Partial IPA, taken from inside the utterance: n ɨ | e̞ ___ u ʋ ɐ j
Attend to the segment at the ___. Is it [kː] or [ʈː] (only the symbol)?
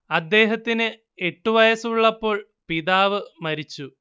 ʈː